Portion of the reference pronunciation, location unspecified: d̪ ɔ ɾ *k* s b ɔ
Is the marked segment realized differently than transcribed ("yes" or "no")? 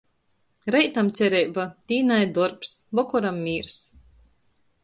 yes